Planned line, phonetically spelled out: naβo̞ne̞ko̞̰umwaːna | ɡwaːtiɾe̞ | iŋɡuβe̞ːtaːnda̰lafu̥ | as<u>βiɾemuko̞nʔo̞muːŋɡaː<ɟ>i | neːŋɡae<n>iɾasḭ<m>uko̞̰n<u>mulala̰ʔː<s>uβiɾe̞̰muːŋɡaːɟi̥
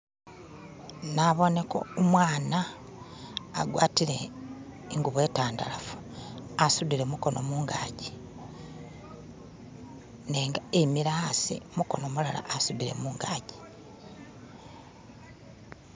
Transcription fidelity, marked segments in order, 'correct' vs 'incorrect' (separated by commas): correct, correct, incorrect, correct, incorrect, correct